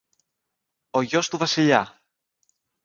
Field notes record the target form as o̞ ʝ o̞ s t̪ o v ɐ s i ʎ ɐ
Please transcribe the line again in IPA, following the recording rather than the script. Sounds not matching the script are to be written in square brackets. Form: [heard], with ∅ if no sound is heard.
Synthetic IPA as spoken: o̞ ʝ o̞ s t̪ [u] v ɐ s i ʎ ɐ